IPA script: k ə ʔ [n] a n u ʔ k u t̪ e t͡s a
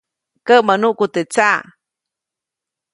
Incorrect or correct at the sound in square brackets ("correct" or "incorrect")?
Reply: incorrect